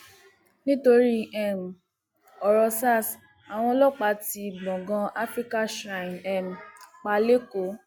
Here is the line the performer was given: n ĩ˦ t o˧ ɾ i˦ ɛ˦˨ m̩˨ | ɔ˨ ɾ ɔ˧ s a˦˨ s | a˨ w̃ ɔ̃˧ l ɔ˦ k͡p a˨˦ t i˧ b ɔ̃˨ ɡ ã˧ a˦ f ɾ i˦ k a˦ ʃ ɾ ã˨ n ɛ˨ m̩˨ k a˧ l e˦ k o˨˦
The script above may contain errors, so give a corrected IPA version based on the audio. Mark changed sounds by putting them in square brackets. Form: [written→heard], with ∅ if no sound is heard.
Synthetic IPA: n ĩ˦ t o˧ ɾ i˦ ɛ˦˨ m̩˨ | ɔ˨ ɾ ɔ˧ s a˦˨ s | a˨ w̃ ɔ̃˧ l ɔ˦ k͡p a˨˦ t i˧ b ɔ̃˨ ɡ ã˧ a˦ f ɾ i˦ k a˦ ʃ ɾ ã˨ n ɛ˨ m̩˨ [k→k͡p] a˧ l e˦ k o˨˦

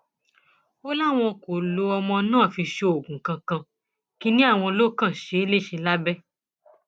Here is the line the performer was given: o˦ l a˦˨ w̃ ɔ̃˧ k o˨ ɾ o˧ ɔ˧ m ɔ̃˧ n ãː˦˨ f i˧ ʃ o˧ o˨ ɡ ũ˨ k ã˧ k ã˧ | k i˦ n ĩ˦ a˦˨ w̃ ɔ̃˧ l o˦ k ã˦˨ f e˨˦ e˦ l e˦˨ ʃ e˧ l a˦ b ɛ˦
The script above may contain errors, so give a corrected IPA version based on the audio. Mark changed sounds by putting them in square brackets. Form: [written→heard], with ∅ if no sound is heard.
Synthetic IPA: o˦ l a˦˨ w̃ ɔ̃˧ k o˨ [ɾ→l] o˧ ɔ˧ m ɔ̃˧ n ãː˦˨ f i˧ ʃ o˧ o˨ ɡ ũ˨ k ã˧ k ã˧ | k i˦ n ĩ˦ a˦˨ w̃ ɔ̃˧ l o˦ k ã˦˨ [f→ʃ] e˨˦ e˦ l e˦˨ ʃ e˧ l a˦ b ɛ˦

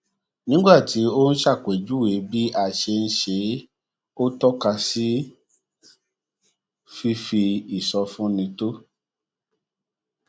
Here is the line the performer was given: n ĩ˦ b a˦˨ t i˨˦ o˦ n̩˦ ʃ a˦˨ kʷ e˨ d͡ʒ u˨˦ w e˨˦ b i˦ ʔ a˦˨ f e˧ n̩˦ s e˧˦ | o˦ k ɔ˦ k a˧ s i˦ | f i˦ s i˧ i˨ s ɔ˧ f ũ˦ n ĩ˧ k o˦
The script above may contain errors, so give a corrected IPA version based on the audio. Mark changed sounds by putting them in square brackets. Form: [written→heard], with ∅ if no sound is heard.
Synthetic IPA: n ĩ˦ [b→ɡ͡b] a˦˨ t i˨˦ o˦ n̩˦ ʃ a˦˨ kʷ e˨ d͡ʒ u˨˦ w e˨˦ b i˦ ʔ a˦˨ [f→ʃ] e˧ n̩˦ [s→ʃ] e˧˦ | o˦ [k→t] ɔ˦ k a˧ s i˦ | f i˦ [s→f] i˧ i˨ s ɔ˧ f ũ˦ n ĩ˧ [k→t] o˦

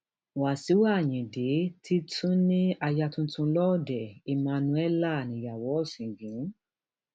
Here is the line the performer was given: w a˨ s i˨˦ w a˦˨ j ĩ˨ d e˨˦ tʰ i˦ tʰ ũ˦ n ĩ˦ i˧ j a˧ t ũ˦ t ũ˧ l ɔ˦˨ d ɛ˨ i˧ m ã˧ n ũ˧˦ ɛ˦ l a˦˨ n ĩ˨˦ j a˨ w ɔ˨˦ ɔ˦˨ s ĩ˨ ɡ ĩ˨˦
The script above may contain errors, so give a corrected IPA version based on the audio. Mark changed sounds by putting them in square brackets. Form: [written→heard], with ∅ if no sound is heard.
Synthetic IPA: w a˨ s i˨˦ w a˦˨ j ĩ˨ d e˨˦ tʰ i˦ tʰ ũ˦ n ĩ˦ [i˧→a˧] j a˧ t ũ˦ t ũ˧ l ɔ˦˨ d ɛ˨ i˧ m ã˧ n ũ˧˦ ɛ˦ l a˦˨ n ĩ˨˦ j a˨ w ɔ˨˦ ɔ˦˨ s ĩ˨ ɡ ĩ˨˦

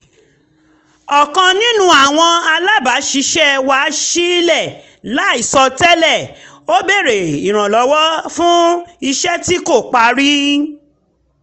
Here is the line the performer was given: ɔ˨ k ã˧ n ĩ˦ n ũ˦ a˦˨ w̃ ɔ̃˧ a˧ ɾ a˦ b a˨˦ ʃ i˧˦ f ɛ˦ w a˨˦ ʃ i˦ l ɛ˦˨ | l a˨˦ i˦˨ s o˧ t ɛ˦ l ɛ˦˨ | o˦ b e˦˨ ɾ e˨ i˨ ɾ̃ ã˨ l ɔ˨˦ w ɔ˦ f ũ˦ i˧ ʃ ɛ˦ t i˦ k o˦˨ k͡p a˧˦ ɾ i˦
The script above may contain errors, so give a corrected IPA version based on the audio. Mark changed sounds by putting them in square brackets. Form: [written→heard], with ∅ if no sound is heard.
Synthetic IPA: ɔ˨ k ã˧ n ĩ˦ n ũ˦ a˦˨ w̃ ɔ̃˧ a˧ [ɾ→l] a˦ b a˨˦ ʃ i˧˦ [f→ʃ] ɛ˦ w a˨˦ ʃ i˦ l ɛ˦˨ | l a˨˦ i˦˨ s [o˧→ɔ˧] t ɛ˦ l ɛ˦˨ | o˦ b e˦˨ ɾ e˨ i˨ ɾ̃ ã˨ l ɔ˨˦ w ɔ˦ f ũ˦ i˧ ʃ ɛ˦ t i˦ k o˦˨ k͡p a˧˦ ɾ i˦

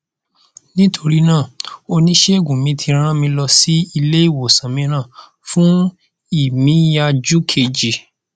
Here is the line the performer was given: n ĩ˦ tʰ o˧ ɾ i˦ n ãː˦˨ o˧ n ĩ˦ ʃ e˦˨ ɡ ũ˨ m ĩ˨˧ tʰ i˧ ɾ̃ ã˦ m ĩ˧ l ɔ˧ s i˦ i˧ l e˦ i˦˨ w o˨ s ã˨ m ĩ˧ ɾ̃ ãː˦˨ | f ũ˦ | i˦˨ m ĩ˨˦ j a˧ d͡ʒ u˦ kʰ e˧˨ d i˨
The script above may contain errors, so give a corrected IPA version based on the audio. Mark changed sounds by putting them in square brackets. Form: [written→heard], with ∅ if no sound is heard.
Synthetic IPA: n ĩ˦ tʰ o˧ ɾ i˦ n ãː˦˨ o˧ n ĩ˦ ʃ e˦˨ ɡ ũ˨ m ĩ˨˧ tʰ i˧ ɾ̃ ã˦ m ĩ˧ l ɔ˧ s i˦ i˧ l e˦ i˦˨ w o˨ s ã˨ m ĩ˧ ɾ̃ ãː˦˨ | f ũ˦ | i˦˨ m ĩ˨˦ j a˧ d͡ʒ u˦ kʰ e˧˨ [d→d͡ʒ] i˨

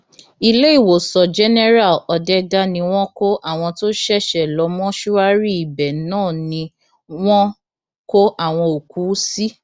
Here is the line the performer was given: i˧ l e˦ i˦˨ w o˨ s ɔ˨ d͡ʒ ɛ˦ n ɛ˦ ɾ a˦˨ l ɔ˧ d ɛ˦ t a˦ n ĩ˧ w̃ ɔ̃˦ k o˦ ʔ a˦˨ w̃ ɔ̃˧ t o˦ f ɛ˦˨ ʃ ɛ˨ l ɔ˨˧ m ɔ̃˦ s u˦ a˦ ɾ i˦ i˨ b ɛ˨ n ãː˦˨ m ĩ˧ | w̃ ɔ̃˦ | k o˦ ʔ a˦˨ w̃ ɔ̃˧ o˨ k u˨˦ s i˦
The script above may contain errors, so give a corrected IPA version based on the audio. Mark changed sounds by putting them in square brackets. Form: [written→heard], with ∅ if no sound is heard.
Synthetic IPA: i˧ l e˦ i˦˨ w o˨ s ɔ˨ d͡ʒ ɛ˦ n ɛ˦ ɾ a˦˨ l ɔ˧ d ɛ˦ [t→d] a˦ n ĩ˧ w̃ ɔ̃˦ k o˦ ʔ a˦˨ w̃ ɔ̃˧ t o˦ [f→ʃ] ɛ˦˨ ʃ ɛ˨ l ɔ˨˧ m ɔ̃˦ [s→ʃ] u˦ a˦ ɾ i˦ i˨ b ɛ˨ n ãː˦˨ [m→n] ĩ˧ | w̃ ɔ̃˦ | k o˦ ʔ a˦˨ w̃ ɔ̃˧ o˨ k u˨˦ s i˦

